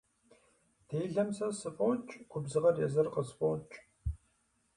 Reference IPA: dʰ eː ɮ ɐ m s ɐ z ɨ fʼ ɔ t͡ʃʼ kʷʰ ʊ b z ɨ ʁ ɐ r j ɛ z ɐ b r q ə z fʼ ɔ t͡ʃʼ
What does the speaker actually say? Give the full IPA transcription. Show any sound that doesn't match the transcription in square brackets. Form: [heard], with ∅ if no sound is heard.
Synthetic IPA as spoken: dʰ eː ɮ ɐ m s ɐ [s] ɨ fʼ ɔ t͡ʃʼ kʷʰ ʊ b z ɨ ʁ ɐ r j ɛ z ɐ [∅] r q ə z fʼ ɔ t͡ʃʼ